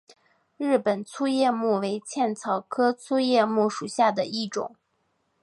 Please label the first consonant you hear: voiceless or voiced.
voiced